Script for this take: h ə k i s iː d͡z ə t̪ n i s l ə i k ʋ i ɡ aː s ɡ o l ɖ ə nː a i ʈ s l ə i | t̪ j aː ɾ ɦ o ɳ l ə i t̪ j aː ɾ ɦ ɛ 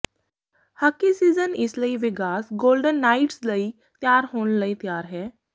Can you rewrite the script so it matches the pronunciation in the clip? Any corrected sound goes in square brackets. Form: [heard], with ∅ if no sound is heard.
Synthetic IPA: h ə k i s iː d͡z ə [∅] n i s l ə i [∅] ʋ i ɡ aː s ɡ o l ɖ ə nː a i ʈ s l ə i | t̪ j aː ɾ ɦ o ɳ l ə i t̪ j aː ɾ ɦ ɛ